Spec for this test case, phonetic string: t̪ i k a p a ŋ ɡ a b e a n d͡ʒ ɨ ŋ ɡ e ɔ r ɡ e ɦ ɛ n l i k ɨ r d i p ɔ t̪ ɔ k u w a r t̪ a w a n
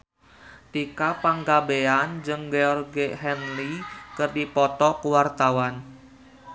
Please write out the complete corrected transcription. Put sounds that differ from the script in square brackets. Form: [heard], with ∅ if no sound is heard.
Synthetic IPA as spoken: t̪ i k a p a ŋ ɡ a b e a n d͡ʒ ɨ ŋ ɡ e ɔ r ɡ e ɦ ɛ n l i k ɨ r d i p ɔ t̪ ɔ k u w a r t̪ a w a n